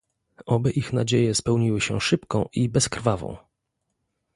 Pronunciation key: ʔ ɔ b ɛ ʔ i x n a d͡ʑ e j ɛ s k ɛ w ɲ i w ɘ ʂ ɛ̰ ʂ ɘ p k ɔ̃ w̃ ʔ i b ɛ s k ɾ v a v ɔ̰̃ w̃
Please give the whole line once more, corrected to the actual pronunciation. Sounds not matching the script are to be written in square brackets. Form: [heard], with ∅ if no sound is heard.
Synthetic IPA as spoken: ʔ ɔ b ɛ ʔ i x n a d͡ʑ e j ɛ s [p] ɛ w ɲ i w ɘ [ɕ] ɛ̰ ʂ ɘ p k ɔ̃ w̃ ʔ i b ɛ s k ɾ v a v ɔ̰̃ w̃